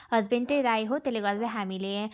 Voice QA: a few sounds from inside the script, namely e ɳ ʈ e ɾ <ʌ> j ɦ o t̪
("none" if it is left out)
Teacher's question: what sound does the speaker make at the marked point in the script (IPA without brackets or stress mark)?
a